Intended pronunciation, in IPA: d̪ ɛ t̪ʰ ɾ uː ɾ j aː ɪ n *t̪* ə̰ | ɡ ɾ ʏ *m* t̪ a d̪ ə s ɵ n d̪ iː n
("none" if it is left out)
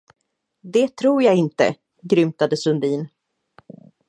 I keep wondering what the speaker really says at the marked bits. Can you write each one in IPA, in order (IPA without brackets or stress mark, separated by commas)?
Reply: t̪, m